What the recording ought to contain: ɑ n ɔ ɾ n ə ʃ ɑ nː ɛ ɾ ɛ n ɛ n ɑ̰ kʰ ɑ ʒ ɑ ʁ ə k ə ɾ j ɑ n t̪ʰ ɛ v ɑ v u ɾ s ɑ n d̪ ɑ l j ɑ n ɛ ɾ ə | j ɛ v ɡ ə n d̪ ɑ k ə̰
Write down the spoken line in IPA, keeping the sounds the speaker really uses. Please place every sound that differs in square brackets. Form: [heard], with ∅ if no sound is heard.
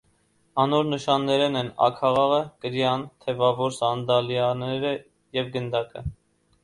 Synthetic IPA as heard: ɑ n ɔ ɾ n ə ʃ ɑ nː ɛ ɾ ɛ n ɛ n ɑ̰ kʰ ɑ [ʁ] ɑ ʁ ə k ə ɾ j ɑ n t̪ʰ ɛ v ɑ v [ɔ] ɾ s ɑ n d̪ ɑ l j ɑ n ɛ ɾ ə | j ɛ v ɡ ə n d̪ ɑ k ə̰